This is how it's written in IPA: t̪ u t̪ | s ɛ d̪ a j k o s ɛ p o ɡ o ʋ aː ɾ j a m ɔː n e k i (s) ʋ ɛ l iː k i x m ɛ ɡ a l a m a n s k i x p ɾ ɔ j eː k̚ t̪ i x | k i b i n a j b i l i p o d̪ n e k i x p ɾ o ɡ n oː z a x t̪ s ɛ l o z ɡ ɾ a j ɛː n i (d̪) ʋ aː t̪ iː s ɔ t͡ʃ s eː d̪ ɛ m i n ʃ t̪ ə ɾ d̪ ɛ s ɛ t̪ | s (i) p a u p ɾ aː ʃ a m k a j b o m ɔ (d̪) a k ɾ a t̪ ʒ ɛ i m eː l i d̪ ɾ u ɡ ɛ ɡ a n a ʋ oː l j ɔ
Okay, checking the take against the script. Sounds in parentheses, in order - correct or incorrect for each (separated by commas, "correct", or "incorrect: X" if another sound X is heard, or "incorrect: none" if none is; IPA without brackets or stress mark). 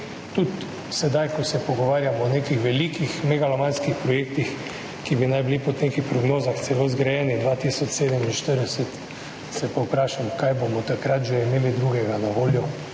incorrect: x, correct, incorrect: ɛ, incorrect: t̪